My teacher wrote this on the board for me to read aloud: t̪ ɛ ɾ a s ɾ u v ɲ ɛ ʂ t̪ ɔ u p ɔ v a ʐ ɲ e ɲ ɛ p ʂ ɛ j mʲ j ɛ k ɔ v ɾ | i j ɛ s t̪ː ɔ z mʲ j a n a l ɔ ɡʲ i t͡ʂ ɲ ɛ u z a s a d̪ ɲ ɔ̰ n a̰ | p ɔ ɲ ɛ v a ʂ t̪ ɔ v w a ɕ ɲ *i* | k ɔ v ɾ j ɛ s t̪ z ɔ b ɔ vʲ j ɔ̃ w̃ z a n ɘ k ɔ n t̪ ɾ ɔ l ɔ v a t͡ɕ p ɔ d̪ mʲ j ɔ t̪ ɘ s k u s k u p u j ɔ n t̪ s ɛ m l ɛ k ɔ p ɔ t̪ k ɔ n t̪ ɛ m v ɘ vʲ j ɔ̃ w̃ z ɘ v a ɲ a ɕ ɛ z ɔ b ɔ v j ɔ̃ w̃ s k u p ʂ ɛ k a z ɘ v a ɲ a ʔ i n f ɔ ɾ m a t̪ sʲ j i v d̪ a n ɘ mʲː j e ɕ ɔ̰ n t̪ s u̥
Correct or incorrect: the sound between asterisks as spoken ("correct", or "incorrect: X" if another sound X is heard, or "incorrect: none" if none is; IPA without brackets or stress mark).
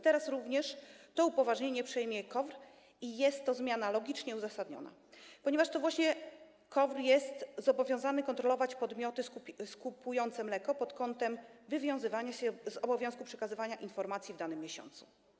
incorrect: ɛ